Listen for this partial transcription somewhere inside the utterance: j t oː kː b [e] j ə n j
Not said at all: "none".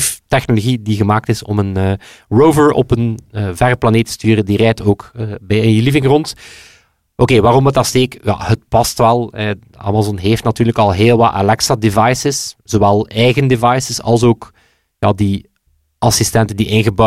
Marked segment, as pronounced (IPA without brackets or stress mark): ɛ